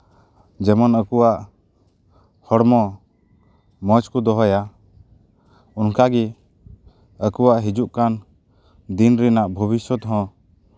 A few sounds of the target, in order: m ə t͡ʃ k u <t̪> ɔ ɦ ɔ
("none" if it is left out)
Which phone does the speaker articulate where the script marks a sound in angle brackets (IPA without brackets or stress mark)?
d̪